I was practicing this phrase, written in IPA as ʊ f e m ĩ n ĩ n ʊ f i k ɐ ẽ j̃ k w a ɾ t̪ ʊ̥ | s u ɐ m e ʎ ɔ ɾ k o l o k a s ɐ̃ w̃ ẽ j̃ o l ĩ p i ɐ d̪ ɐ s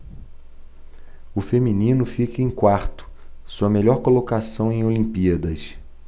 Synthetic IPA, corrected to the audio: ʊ f e m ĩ n ĩ n ʊ f i k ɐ ẽ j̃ k w a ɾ t̪ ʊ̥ | s u ɐ m e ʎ ɔ ɾ k o l o k a s ɐ̃ w̃ ẽ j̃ o l ĩ p i ɐ d̪ ɐ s